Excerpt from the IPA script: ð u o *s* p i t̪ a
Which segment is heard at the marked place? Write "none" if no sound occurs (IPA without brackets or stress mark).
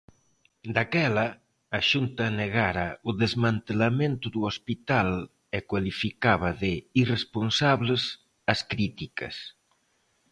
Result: s